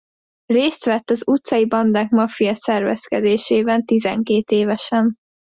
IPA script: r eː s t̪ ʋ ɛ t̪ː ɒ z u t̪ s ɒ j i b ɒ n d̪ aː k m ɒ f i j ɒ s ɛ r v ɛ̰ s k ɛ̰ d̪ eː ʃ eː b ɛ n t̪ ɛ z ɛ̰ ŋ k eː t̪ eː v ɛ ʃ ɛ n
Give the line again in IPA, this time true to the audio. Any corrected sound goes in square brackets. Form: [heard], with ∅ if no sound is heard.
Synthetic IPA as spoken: r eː s t̪ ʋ ɛ t̪ː ɒ z u t̪ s ɒ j i b ɒ n d̪ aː k m ɒ f i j ɒ s ɛ r v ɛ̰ s k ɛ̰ d̪ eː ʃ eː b ɛ n t̪ [i] z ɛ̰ ŋ k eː t̪ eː v ɛ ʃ ɛ n